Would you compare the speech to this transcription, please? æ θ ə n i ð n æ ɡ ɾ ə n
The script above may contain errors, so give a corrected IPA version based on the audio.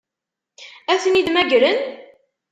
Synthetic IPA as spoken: æ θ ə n i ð m æ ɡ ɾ ə n